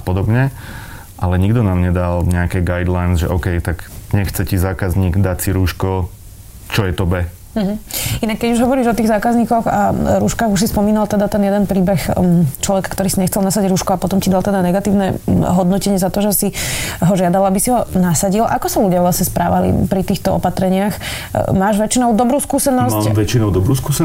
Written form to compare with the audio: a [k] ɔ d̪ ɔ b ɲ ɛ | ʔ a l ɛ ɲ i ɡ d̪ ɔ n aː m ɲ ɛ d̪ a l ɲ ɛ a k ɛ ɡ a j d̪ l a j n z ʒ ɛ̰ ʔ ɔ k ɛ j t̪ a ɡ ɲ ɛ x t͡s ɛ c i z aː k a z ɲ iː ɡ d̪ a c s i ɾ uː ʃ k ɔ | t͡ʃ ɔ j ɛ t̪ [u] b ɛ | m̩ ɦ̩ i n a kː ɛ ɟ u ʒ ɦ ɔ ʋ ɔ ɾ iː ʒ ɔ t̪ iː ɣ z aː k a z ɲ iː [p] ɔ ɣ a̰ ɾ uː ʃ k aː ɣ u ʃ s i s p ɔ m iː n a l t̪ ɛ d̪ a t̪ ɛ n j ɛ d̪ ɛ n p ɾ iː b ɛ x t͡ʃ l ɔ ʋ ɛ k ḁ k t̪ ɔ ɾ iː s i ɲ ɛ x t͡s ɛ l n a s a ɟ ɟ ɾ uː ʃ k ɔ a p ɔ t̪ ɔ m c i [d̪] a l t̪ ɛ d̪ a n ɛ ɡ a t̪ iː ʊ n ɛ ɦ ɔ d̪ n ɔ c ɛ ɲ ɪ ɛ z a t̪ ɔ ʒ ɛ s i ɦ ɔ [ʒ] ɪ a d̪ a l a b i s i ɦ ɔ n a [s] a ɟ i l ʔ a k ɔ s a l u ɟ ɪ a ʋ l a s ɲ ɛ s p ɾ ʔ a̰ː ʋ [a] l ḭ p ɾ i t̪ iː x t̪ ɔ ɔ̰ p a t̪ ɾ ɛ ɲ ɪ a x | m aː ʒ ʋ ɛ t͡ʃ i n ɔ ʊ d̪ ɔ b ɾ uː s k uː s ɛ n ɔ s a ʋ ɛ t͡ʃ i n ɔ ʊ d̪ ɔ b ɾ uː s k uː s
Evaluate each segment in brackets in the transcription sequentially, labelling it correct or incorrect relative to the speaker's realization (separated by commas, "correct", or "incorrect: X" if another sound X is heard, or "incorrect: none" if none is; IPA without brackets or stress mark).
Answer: incorrect: p, incorrect: ɔ, incorrect: k, correct, correct, correct, correct